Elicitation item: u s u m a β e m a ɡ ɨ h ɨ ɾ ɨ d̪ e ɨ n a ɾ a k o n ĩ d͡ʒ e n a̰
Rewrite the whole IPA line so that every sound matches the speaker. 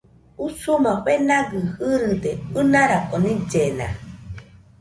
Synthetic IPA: u s u m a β e n a ɡ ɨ h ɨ ɾ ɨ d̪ e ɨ n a ɾ a k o n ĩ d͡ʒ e n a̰